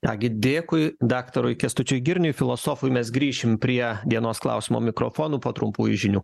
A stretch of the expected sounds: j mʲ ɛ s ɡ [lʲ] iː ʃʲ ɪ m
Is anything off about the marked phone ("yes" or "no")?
yes